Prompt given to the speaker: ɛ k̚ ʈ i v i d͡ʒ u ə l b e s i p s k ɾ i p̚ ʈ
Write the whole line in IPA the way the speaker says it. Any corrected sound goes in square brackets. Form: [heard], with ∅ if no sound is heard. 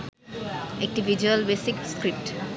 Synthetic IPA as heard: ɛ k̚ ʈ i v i d͡ʒ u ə l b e s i [k] s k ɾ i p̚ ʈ